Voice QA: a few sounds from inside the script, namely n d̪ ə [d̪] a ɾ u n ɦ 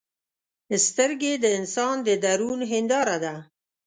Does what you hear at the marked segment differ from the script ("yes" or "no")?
no